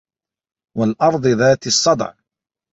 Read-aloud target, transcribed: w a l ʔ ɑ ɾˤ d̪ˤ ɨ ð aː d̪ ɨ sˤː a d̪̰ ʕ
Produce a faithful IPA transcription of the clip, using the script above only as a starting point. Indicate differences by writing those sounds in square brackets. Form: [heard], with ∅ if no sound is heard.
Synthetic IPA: w a l ʔ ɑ ɾˤ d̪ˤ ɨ ð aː [t̪] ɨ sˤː [ɑ] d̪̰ ʕ